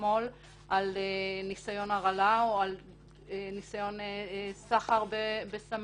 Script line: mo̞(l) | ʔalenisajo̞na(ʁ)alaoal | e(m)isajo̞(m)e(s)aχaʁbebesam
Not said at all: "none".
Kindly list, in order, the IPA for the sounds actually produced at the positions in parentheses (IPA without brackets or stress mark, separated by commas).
l, ʁ, n, n, s